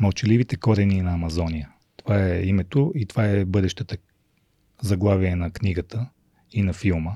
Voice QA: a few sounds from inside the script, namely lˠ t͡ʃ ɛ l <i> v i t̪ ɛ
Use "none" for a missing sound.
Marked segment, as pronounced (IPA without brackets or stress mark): i